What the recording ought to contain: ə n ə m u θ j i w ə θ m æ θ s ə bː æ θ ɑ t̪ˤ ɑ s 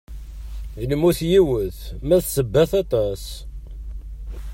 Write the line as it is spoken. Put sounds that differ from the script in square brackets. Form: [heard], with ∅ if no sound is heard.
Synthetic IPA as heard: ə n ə m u θ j i w ə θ m æ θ s ə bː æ θ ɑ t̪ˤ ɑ s